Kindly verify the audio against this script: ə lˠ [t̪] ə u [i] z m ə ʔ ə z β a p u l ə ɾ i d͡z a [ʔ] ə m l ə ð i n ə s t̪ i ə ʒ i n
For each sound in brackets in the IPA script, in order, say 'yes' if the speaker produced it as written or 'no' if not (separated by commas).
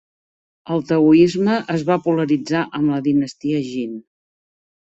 yes, yes, yes